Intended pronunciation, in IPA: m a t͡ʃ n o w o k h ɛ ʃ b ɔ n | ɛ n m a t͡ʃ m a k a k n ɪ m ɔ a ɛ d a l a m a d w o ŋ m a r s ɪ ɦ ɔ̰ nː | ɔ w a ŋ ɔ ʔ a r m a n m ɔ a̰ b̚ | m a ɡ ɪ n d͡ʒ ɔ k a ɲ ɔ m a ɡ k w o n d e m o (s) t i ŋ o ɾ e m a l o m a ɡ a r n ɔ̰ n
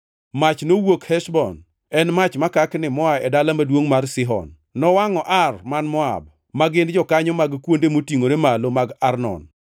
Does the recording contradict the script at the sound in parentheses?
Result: yes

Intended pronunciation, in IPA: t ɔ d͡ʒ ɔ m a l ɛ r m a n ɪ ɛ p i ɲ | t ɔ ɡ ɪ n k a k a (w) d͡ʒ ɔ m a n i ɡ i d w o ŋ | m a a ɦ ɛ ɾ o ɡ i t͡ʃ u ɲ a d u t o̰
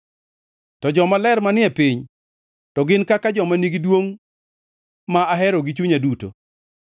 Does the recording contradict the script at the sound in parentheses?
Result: yes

